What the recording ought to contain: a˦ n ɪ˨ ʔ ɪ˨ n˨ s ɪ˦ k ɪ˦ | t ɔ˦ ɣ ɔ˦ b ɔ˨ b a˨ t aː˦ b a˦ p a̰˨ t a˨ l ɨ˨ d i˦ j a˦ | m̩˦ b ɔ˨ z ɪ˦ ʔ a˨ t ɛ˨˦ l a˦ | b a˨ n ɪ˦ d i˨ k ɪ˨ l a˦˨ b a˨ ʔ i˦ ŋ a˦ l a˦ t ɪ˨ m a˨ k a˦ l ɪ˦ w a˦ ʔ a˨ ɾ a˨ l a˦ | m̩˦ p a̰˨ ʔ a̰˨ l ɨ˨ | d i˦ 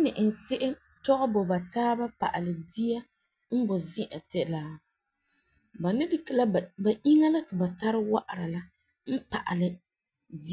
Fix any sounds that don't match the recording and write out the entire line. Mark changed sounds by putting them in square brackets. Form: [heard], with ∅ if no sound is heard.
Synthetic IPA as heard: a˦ n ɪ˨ ʔ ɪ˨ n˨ s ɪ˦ [ʔ] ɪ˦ | t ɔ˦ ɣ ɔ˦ b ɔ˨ b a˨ t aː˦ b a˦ p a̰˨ [ʔ] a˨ l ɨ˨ d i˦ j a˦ | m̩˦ b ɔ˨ z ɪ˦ ʔ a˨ t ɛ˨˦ l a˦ | b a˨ n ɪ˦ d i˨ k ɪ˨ l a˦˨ b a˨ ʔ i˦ ŋ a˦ l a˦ t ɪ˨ [b] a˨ [t] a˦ [ɾ] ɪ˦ w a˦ ʔ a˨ ɾ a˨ l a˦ | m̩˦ p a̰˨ ʔ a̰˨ l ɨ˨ | d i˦

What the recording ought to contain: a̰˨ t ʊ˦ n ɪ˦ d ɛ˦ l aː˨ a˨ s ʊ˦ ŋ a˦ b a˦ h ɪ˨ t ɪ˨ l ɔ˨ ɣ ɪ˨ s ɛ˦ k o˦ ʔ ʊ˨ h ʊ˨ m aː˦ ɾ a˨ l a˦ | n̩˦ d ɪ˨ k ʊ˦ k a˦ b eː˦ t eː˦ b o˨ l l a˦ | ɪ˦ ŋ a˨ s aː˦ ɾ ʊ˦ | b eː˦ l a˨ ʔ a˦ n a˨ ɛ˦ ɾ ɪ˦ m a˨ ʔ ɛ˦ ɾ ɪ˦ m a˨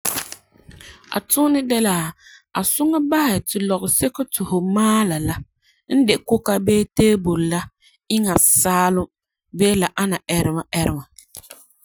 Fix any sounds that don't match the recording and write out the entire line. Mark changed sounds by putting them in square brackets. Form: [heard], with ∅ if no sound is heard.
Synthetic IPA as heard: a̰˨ t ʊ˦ n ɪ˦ d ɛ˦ l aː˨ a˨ s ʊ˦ ŋ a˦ b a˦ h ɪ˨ t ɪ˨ l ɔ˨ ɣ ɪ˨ s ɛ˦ k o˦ [t] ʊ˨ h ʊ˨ m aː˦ [l] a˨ l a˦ | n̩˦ d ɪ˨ k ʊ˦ k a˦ b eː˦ t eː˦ b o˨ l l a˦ | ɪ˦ ŋ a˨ s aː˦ [l] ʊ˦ | b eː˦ l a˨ ʔ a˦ n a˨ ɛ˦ ɾ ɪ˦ m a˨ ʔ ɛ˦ ɾ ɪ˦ m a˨

